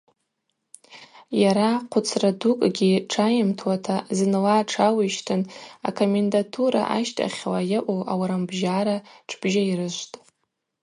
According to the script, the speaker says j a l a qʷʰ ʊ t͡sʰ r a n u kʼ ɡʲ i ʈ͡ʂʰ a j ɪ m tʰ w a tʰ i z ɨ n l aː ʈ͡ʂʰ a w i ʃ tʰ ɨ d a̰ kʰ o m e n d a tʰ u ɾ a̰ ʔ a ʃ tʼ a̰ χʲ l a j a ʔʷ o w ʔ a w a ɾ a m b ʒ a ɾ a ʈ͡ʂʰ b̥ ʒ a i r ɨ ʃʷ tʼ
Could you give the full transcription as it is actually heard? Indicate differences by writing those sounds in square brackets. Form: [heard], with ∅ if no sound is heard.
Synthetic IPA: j a [ɾ] a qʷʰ ʊ t͡sʰ r a [d] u kʼ ɡʲ i ʈ͡ʂʰ a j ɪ m tʰ w a tʰ [a] z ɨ n l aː ʈ͡ʂʰ a w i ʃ tʰ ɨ [n] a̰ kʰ o m e n d a tʰ u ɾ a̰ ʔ a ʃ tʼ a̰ χʲ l a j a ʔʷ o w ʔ a w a ɾ a m b ʒ a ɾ a ʈ͡ʂʰ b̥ ʒ a i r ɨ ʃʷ tʼ